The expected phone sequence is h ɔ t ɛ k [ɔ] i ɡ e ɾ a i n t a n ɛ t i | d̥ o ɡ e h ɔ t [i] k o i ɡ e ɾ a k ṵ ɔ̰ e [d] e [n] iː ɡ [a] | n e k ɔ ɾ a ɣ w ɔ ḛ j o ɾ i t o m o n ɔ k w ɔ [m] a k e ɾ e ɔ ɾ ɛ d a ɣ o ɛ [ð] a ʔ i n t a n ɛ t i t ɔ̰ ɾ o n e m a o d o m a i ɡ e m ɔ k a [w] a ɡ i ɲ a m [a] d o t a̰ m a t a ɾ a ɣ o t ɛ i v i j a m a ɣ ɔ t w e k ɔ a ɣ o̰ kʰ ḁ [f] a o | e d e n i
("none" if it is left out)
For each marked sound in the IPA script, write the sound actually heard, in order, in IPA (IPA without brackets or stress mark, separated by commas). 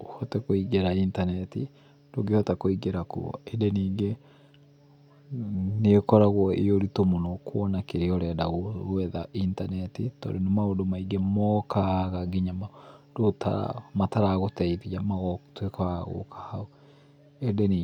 o, a, d, n, e, n, ð, ɣ, a, h